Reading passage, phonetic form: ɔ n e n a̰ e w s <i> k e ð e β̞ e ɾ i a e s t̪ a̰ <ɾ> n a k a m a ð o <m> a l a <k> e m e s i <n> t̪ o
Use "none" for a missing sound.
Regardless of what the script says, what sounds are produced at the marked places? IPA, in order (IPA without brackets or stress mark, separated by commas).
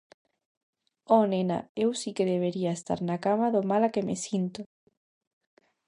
i, ɾ, m, k, n